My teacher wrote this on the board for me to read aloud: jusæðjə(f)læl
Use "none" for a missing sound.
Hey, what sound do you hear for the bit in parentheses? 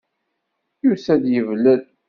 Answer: v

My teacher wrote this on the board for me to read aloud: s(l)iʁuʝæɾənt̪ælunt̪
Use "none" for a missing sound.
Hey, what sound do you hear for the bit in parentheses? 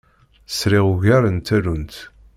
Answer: ɾ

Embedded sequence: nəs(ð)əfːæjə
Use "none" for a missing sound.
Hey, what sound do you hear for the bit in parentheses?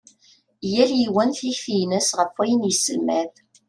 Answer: ʁ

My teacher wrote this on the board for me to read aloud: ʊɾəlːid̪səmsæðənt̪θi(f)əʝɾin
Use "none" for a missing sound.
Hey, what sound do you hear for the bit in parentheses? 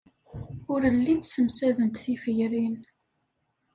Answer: f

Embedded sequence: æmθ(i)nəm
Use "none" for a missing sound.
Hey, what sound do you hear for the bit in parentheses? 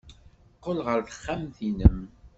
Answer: i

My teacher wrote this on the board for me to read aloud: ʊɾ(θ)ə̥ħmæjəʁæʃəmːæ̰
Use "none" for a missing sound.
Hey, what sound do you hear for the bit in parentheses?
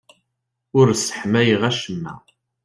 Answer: s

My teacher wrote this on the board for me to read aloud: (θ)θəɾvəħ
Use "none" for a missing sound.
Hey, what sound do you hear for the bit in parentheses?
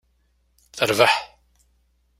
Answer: θ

